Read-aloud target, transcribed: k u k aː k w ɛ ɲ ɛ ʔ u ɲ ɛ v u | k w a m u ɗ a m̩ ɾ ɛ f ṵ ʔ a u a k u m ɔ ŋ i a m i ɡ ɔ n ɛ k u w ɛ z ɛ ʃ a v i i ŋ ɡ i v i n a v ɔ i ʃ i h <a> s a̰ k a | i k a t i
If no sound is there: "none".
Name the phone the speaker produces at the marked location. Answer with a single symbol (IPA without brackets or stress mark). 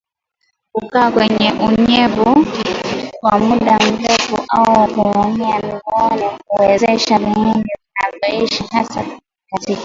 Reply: a